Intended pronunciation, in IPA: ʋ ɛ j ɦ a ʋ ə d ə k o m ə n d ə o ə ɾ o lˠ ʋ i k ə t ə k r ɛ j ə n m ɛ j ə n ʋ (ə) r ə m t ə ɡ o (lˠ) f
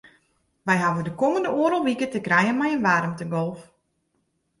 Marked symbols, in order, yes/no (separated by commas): no, yes